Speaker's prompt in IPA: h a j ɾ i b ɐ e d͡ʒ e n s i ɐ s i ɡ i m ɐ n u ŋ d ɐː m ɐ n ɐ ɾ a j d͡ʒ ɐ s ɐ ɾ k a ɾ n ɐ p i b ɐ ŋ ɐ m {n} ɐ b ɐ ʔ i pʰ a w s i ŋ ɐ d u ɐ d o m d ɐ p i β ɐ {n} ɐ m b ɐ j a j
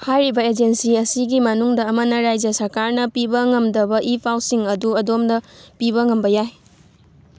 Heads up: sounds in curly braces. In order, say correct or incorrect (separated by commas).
incorrect, incorrect